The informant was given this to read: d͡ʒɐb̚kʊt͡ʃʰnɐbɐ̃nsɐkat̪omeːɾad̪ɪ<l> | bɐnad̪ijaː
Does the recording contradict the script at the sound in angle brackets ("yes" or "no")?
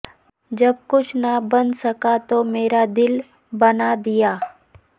no